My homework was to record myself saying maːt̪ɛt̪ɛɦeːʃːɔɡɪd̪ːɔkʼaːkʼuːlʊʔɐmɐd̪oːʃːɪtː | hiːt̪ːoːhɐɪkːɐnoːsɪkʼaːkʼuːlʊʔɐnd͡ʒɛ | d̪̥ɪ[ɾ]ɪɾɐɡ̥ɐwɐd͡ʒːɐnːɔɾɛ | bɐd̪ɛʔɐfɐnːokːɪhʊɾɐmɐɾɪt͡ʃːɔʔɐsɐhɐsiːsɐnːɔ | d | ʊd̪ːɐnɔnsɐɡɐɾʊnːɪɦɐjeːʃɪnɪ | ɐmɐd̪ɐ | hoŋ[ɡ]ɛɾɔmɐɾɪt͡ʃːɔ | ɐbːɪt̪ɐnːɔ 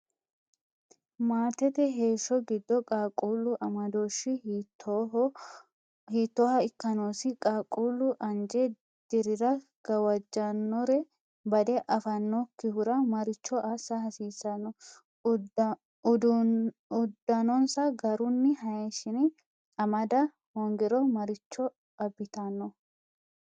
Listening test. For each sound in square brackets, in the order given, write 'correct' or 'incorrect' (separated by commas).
correct, correct